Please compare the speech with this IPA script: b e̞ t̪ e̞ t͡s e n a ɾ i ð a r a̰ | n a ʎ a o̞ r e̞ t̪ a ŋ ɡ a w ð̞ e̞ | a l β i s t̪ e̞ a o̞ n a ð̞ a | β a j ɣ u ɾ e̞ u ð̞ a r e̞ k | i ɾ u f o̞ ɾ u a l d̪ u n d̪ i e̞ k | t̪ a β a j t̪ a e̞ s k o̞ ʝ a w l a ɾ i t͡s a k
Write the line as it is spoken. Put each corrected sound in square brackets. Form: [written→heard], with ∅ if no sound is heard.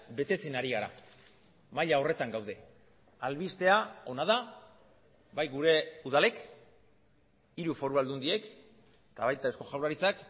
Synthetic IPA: b e̞ t̪ e̞ t͡s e n a ɾ i [ð→ɣ] a [r→ɾ] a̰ | [n→m] a ʎ a o̞ r e̞ t̪ a ŋ ɡ a w ð̞ e̞ | a l β i s t̪ e̞ a o̞ n a ð̞ a | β a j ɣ u ɾ e̞ u ð̞ a [r→l] e̞ k | i ɾ u f o̞ ɾ u a l d̪ u n d̪ i e̞ k | t̪ a β a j t̪ a e̞ s k o̞ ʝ a w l a ɾ i t͡s a k